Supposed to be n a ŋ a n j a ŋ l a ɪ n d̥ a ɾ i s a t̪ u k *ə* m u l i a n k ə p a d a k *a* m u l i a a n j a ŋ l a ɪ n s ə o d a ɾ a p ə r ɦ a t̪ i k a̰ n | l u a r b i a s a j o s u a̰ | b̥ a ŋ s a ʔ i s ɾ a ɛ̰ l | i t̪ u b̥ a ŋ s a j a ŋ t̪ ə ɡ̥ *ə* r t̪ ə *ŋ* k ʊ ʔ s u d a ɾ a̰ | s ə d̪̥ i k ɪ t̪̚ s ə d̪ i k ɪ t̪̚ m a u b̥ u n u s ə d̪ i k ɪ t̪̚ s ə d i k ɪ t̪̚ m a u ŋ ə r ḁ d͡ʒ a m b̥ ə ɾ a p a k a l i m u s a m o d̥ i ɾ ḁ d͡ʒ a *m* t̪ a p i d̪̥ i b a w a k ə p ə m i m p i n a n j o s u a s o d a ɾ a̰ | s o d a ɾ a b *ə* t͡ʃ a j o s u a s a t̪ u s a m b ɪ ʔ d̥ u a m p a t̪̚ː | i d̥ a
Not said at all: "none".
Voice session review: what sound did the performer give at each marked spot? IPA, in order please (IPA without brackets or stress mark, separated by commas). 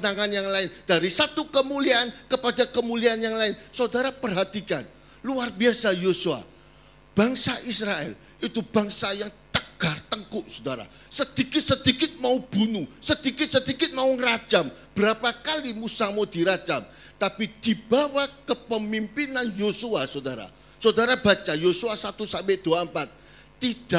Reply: ə, ə, a, ŋ, m, a